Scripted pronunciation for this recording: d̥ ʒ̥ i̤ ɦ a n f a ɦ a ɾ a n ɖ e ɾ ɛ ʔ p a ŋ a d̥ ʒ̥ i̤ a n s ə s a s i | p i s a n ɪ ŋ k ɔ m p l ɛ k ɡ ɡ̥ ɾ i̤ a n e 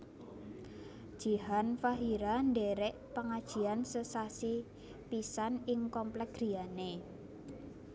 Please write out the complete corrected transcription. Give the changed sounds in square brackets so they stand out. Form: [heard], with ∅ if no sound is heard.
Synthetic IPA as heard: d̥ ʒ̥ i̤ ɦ a n f a ɦ [i] ɾ a n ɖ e ɾ ɛ ʔ p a ŋ a d̥ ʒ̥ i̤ a n s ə s a s i | p i s a n ɪ ŋ k ɔ m p l ɛ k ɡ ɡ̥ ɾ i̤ a n e